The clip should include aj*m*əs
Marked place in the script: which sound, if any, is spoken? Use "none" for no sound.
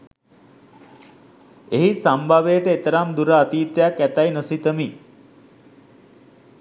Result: n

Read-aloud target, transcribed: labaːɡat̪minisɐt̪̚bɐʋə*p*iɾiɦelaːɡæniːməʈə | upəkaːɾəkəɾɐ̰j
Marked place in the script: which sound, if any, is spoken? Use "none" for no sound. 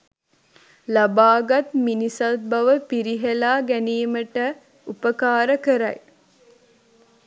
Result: p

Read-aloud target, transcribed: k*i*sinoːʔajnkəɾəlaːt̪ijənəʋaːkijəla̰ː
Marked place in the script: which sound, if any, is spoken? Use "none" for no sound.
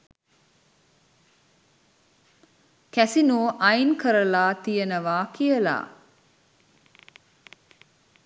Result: æ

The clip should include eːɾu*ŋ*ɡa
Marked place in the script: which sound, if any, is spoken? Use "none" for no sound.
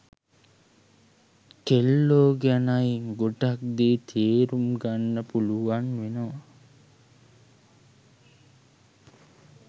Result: m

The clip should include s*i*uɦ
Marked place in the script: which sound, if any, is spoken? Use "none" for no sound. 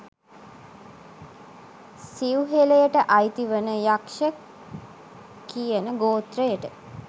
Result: i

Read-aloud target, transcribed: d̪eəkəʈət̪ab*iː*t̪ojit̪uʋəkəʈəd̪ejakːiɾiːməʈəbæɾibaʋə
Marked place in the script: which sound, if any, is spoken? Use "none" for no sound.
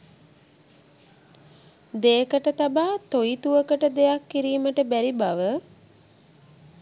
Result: aː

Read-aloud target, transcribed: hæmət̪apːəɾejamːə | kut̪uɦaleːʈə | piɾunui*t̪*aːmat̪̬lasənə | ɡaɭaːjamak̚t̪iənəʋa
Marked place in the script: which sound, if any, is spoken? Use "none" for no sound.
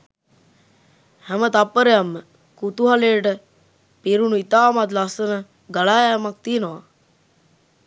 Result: t̪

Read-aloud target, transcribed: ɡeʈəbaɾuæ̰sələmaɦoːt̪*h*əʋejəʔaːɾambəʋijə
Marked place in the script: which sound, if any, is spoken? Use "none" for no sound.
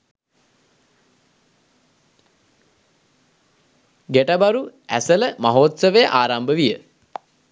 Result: s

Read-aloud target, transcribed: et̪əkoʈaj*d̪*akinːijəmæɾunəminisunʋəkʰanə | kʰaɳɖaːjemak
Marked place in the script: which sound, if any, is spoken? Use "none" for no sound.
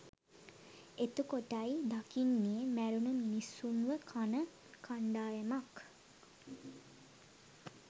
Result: d̪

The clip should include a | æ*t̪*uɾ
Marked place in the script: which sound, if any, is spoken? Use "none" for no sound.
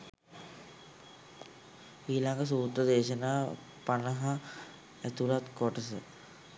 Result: t̪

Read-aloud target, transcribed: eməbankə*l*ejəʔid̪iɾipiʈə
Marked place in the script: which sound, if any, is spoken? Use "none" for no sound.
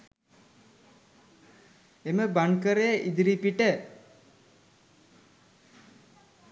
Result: ɾ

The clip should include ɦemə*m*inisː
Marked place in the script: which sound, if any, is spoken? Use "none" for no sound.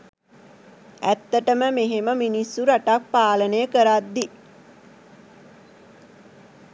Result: m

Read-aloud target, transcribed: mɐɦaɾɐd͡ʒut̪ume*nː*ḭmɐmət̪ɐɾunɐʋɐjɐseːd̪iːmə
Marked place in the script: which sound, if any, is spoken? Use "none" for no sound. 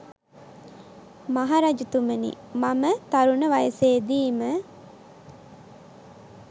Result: n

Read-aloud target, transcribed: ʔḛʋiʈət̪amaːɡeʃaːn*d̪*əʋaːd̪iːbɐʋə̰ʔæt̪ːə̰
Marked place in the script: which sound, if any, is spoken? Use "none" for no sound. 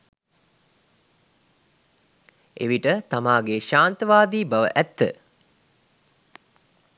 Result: t̪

